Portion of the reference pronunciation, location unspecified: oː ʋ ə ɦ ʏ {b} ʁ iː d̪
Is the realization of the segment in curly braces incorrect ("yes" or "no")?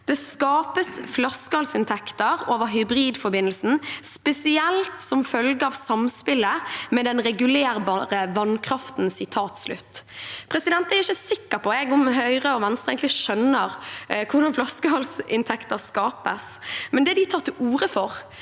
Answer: no